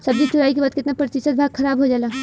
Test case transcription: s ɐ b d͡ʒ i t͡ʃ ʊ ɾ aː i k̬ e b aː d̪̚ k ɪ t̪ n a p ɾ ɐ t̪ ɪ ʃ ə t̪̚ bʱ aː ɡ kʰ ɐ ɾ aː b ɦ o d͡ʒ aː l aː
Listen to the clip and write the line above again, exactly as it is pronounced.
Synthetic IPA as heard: s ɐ b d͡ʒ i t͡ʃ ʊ ɾ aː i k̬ e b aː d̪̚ k ɪ t̪ n a p ɾ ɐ t̪ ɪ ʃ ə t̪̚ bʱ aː ɡ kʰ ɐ ɾ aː b ɦ o d͡ʒ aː l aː